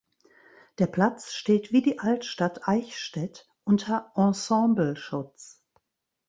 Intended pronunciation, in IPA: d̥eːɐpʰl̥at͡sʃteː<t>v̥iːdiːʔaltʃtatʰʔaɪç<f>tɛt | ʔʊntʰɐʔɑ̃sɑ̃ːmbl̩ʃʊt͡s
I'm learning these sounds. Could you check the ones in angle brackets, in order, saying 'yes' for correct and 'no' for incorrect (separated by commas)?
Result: yes, no